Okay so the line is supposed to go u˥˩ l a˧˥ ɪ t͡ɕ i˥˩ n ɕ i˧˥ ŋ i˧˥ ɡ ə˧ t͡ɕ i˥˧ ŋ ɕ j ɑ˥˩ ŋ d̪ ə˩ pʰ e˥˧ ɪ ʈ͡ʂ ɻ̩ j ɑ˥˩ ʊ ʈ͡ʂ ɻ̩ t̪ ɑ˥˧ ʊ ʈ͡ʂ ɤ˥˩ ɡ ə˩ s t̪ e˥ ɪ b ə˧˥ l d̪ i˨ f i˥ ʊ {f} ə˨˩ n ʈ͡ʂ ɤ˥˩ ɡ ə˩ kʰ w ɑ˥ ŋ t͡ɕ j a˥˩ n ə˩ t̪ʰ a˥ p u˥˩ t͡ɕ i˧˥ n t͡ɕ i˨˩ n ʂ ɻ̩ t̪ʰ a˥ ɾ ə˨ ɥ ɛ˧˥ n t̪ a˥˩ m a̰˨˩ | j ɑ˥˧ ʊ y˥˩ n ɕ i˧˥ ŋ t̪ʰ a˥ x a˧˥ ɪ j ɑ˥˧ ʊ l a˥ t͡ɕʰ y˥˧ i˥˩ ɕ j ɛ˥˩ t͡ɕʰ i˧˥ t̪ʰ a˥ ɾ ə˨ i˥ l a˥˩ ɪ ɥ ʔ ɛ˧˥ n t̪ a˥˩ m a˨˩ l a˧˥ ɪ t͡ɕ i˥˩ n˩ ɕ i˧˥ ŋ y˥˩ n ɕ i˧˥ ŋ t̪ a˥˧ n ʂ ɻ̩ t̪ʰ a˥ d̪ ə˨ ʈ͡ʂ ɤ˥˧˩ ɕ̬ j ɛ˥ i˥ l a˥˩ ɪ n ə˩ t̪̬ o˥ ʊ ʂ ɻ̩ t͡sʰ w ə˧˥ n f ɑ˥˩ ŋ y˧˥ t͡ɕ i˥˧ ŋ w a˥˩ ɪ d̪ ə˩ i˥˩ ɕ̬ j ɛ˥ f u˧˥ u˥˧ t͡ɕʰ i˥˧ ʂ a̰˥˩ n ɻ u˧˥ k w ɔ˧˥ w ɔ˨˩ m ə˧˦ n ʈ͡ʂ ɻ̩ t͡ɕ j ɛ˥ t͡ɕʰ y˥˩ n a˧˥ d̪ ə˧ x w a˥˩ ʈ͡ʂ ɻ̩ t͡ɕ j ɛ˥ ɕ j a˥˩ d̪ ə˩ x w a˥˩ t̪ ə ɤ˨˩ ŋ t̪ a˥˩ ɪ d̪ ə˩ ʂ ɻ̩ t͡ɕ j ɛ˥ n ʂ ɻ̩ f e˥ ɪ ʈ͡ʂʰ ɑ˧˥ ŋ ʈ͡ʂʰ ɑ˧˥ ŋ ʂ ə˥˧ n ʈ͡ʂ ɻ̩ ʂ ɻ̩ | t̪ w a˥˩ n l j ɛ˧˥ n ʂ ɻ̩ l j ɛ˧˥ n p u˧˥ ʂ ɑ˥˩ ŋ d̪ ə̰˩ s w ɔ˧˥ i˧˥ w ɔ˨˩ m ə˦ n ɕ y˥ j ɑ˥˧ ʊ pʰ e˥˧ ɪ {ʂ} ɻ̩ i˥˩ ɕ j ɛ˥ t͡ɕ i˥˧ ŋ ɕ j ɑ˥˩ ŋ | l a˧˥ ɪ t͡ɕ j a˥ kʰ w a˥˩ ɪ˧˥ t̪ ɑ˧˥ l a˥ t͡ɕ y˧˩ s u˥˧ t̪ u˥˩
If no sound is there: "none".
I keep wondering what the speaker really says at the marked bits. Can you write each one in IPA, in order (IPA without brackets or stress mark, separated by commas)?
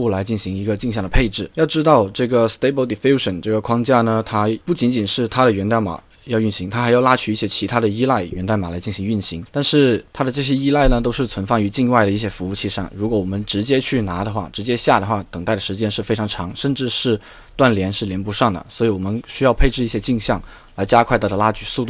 ʂ, ʈ͡ʂ